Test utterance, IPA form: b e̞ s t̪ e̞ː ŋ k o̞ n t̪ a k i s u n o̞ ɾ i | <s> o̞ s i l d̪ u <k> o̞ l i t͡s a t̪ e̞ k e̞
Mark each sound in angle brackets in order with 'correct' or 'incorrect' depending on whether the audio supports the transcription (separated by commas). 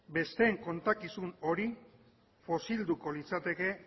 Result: incorrect, correct